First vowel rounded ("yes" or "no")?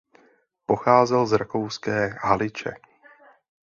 yes